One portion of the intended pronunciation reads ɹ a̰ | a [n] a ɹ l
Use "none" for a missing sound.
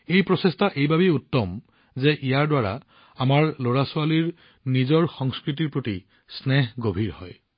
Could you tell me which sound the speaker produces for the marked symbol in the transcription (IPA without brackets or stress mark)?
m